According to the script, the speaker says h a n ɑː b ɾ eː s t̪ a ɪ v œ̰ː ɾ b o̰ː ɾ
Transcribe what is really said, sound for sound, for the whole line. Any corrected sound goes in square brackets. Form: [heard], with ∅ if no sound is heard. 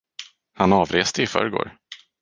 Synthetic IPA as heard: h a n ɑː [v] ɾ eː s t̪ [ə] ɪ [f] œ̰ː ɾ [ɡ] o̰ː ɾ

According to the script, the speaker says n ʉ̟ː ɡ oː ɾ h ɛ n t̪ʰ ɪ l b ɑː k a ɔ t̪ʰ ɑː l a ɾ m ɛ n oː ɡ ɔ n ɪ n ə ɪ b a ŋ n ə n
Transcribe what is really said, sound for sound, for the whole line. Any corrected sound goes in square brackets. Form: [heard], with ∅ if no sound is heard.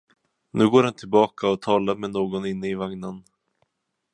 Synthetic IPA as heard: n ʉ̟ː ɡ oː ɾ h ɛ n t̪ʰ ɪ l b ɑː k a ɔ t̪ʰ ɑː l a ɾ m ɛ n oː ɡ ɔ n ɪ [nː] ə ɪ [v] a ŋ n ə n

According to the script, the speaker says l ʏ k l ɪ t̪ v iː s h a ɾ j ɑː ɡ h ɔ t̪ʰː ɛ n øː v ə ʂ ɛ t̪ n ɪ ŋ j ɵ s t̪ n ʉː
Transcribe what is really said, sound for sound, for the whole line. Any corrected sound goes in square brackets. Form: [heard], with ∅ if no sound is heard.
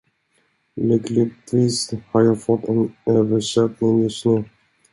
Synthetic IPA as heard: l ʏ k l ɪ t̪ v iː s h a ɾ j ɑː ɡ [f] ɔ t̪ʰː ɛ n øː v ə ʂ ɛ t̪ n ɪ ŋ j ɵ s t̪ n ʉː

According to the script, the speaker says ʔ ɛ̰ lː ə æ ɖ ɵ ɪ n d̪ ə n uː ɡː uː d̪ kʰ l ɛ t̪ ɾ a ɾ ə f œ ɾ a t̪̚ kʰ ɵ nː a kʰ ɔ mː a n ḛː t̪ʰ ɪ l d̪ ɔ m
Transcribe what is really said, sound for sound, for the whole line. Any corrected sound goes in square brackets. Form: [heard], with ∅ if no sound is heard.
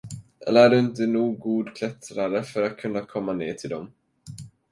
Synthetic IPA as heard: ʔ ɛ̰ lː ə æ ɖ ɵ ɪ n [t̪] ə n uː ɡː uː d̪ kʰ l ɛ t̪ ɾ a ɾ ə f œ ɾ a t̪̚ kʰ ɵ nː a kʰ ɔ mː a n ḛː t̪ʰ ɪ l d̪ ɔ m

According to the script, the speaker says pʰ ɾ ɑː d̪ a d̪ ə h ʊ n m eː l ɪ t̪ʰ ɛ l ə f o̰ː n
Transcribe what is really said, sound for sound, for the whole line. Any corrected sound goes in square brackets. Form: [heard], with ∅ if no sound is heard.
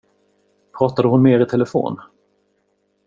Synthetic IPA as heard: pʰ ɾ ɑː [t̪] a d̪ ə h ʊ n m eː [ɾ] ɪ t̪ʰ ɛ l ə f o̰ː n

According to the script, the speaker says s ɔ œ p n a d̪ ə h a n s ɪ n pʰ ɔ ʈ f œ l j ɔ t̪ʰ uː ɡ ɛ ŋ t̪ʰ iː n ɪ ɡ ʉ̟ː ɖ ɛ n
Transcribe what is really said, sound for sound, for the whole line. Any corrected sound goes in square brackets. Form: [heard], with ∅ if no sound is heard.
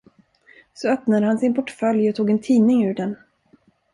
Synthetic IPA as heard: s ɔ œ p n a d̪ ə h a n s ɪ n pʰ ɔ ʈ f œ l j ɔ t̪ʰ uː ɡ ɛ [n] t̪ʰ iː n ɪ [ŋ] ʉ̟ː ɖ ɛ n

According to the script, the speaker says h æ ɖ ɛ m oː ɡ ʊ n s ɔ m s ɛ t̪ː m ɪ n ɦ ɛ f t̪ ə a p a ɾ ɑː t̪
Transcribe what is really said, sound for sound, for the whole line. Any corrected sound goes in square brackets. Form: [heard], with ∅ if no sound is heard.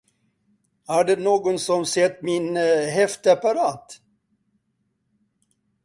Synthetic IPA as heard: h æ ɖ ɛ [n] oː ɡ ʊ n s ɔ m s ɛ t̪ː m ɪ n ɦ ɛ f t̪ ə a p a ɾ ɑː t̪

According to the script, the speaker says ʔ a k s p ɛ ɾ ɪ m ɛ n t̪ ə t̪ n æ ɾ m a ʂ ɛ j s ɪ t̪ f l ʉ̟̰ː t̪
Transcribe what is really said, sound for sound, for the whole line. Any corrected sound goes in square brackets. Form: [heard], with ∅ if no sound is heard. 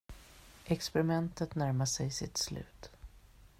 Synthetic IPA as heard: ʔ [ɛ] k s p ɛ ɾ ɪ m ɛ n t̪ ə t̪ n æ ɾ m a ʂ ɛ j s ɪ t̪ [s] l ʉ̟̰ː t̪

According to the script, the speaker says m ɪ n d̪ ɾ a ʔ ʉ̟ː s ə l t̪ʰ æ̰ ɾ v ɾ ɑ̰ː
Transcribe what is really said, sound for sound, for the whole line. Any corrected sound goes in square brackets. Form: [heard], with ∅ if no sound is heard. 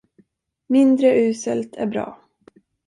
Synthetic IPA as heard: m ɪ n d̪ ɾ [ə] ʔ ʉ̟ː s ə l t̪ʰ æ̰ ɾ [b] ɾ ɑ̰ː

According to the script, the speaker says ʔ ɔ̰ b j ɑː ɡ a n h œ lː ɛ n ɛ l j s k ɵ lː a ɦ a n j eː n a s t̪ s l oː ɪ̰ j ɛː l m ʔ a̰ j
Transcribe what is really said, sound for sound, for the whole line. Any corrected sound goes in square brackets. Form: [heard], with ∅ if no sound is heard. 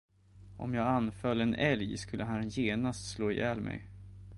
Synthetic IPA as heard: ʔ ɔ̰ [m] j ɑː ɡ a n [f] œ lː ɛ n ɛ l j s k ɵ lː [ə] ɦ a n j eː n a s t̪ s l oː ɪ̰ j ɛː l m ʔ [ɛ̰] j

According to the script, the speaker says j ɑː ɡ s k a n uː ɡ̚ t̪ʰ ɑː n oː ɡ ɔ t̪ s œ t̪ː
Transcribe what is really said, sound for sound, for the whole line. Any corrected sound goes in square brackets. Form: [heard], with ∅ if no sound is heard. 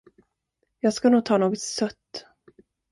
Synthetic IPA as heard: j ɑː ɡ s k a n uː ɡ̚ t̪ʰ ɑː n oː ɡ ɔ t̪ s œ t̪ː

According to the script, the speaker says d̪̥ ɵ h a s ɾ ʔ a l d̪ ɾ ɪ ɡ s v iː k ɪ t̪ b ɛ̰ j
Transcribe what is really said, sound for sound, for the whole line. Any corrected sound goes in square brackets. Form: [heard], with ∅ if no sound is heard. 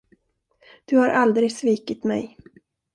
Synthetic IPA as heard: d̪̥ ɵ h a [∅] ɾ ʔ a l d̪ ɾ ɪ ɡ s v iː k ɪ t̪ [m] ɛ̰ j

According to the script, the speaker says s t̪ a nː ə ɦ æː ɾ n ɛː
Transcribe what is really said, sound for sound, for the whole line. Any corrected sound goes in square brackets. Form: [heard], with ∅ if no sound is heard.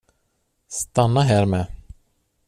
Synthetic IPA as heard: s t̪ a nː [a] ɦ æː ɾ [m] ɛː

